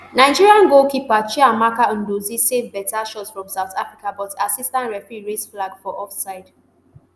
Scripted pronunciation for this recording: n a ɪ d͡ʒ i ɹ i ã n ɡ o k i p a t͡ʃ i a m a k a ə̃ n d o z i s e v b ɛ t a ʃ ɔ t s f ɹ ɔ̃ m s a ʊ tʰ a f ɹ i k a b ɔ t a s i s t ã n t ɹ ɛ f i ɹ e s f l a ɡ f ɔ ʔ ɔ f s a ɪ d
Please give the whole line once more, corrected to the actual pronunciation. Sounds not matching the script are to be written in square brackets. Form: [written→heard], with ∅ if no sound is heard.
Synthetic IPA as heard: n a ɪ d͡ʒ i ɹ i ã n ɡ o k i p a t͡ʃ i a m a k a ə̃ n d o z i s e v b ɛ t a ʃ ɔ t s f ɹ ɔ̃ m s a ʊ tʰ a f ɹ i k a b ɔ t a s i s t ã n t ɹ ɛ f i ɹ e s f l a ɡ f ɔ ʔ ɔ f s a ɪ d